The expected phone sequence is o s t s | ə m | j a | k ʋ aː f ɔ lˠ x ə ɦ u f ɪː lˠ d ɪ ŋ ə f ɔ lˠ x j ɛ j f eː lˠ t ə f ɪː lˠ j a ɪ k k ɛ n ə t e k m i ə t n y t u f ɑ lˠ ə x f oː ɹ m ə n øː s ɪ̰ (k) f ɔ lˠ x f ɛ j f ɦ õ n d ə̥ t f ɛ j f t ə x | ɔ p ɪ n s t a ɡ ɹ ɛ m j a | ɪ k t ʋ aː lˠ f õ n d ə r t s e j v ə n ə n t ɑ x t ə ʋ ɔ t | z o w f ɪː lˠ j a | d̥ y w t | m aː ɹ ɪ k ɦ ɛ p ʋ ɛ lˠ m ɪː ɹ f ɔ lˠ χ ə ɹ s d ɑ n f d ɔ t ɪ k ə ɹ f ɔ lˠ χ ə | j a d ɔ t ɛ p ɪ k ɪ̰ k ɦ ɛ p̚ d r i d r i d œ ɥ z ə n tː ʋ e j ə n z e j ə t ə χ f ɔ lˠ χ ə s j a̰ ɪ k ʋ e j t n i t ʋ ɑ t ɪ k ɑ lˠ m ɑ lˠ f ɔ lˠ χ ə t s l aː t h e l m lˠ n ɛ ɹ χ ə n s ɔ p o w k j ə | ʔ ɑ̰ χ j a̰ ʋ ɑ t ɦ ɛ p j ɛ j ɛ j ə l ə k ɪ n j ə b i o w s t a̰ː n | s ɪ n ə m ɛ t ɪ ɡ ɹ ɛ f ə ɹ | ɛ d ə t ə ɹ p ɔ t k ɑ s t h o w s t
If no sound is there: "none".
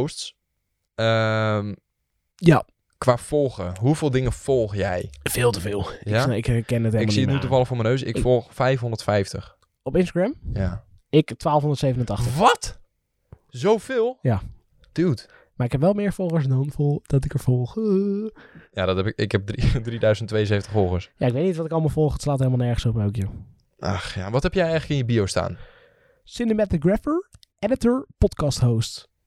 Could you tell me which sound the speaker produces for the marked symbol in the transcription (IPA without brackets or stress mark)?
k